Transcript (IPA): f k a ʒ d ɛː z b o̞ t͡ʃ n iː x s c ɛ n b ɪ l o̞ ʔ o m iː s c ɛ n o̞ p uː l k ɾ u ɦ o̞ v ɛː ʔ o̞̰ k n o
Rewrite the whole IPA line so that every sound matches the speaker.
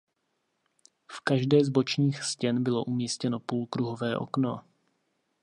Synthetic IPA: f k a ʒ d ɛː z b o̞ t͡ʃ ɲ iː x s c ɛ n b ɪ l o̞ ʔ u m iː s c ɛ n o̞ p uː l k ɾ u ɦ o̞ v ɛː ʔ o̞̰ k n o